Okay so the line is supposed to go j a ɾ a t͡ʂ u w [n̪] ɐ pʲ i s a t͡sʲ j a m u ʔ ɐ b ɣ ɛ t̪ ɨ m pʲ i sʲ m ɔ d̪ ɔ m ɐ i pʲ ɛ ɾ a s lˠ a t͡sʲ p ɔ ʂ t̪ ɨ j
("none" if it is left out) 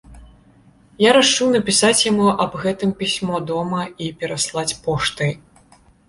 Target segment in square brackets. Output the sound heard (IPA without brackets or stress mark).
n̪